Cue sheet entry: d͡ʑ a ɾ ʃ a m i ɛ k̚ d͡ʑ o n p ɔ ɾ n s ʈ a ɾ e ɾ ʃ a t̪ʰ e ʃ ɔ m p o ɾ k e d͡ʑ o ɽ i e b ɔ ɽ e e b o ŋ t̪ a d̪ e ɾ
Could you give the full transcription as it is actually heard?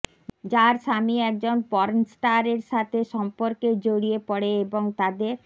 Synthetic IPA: d͡ʑ a ɾ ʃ a m i ɛ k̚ d͡ʑ o n p ɔ ɾ n s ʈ a ɾ e ɾ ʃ a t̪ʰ e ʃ ɔ m p o ɾ k e d͡ʑ o ɽ i e p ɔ ɽ e e b o ŋ t̪ a d̪ e ɾ